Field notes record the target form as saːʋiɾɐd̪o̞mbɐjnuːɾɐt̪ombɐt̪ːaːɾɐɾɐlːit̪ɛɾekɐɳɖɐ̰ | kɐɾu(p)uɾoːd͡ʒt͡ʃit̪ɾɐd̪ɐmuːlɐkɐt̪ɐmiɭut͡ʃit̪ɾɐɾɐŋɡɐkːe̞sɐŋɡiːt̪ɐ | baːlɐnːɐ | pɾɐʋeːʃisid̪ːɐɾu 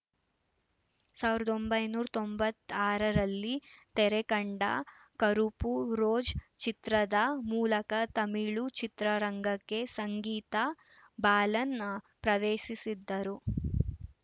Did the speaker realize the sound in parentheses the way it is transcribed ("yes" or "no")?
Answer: yes